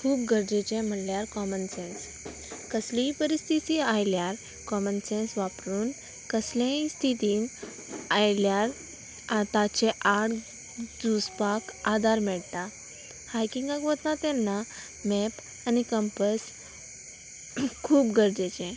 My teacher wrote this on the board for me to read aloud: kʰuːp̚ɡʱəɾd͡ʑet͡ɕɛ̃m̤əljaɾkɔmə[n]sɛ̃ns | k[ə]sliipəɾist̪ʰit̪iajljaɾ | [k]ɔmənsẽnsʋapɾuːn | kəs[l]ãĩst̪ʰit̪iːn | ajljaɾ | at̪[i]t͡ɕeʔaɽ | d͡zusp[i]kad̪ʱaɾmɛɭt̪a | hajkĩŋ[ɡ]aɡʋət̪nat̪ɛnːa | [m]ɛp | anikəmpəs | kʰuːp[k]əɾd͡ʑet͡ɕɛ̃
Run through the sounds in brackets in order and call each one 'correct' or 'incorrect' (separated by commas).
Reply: correct, correct, correct, correct, incorrect, incorrect, correct, correct, incorrect